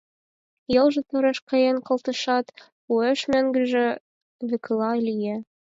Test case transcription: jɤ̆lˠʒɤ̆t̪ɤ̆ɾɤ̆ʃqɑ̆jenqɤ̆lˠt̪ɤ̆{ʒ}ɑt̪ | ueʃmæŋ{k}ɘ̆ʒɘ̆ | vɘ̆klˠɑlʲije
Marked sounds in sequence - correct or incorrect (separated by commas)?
incorrect, incorrect